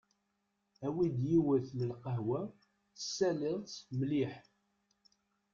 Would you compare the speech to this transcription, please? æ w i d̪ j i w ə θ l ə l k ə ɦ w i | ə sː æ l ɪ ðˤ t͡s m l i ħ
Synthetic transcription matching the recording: æ w i d̪ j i w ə θ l ə l q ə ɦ w æ | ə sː æ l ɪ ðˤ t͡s m l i ħ